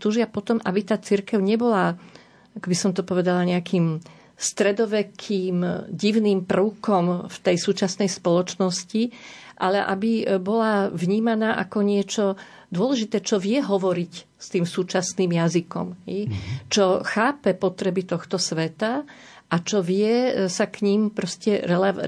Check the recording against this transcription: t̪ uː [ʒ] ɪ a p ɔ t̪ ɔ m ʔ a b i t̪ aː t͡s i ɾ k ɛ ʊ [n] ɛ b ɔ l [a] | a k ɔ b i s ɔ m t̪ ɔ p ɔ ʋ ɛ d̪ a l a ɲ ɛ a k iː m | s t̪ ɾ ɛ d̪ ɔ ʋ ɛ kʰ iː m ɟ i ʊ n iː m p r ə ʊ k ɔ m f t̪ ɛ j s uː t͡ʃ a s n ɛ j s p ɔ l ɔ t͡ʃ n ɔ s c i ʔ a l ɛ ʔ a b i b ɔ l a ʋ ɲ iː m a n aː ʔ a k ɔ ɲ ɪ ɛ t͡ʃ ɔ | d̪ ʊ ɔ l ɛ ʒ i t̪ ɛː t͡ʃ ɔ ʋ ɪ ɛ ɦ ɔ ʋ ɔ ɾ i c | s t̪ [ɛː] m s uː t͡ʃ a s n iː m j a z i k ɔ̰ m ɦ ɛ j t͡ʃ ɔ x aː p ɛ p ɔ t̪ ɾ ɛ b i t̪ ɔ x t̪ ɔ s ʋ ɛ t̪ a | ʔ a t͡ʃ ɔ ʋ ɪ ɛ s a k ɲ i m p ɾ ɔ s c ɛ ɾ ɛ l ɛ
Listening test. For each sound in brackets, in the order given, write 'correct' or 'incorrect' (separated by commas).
correct, incorrect, correct, incorrect